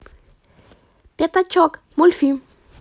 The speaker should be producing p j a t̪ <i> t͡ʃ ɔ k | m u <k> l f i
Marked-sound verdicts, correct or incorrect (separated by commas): incorrect, incorrect